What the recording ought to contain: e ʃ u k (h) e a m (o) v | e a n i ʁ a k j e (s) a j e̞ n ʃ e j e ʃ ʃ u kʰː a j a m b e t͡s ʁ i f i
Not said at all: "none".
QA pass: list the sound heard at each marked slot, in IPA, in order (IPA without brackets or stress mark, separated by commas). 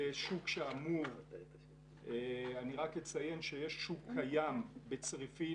ʃ, u, t͡s